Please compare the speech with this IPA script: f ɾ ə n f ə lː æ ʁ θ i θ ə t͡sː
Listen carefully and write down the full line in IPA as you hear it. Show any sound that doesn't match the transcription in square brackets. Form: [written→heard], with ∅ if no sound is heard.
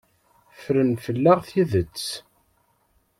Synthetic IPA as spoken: f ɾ ə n f ə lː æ ʁ θ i [θ→ð] ə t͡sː

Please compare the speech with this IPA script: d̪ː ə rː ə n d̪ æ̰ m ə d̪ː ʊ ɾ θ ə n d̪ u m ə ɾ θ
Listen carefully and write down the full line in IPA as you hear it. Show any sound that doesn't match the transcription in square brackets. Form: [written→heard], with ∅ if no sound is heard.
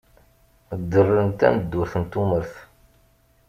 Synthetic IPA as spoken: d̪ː ə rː ə n [d̪→t̪] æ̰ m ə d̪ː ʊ ɾ θ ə n [d̪→t̪] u m ə ɾ θ

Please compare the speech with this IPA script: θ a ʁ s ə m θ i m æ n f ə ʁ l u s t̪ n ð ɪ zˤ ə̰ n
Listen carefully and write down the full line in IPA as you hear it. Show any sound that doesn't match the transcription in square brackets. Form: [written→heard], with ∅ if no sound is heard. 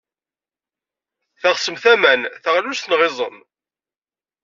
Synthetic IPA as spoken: θ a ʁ s ə m θ [i→æ] m æ n [f→θ] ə ʁ l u s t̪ n [ð→ʁ] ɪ zˤ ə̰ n

